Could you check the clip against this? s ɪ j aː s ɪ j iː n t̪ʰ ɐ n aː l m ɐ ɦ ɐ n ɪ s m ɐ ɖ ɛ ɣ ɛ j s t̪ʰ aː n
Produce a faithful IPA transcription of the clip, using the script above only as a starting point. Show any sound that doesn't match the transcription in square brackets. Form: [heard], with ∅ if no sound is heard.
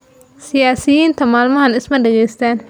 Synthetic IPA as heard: s ɪ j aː s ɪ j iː n t̪ʰ ɐ [m] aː l m ɐ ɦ ɐ n ɪ s m ɐ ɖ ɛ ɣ ɛ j s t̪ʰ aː n